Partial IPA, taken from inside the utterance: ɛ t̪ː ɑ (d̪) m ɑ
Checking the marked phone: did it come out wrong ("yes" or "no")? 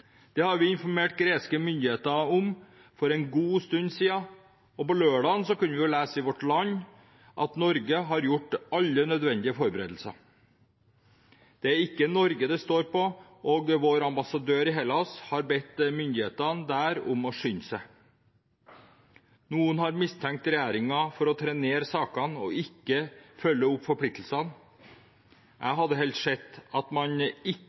yes